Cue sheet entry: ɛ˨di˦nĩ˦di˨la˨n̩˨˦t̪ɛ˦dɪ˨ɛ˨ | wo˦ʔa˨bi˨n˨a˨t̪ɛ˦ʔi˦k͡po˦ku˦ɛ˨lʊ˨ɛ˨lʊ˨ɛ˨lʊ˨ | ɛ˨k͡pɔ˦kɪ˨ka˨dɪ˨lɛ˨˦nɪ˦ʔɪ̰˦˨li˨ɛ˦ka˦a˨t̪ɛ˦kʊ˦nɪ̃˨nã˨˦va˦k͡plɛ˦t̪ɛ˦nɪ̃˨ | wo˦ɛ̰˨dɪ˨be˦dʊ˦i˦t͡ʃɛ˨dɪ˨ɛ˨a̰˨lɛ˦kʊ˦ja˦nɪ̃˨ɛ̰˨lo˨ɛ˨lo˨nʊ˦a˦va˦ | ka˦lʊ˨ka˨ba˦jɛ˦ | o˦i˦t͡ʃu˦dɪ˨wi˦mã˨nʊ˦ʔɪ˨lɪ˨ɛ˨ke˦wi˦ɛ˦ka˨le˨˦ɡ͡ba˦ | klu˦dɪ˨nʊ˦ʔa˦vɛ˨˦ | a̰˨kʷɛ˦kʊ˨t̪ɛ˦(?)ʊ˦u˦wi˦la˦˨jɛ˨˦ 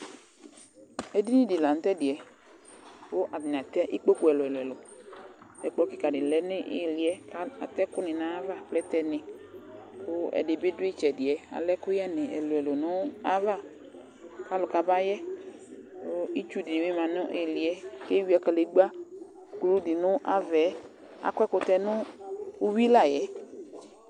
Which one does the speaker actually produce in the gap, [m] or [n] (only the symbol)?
n